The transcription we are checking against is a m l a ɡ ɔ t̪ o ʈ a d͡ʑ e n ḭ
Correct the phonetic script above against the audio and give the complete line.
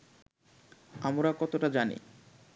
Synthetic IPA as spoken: a m ɾ a k ɔ t̪ o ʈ a d͡ʑ a n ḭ